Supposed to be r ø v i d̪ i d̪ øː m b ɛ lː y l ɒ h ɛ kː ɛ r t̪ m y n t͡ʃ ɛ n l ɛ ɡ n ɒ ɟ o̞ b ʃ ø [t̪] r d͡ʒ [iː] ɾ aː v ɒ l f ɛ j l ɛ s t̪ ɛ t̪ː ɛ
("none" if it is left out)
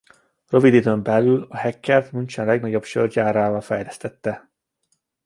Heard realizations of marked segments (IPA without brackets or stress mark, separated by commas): none, aː